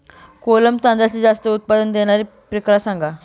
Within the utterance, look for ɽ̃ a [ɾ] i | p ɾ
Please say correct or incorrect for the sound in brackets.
correct